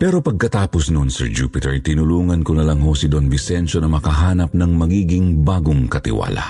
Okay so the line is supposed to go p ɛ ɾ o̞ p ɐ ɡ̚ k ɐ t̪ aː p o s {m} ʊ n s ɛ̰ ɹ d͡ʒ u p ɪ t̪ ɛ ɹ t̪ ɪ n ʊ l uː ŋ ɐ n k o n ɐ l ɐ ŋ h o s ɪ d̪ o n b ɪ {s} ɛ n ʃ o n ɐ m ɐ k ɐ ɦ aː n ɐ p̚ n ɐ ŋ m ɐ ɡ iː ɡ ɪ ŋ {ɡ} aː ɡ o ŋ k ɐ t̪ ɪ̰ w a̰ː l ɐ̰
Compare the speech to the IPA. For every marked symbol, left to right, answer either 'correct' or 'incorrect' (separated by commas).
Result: incorrect, correct, incorrect